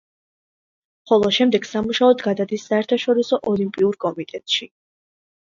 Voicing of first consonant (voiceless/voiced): voiceless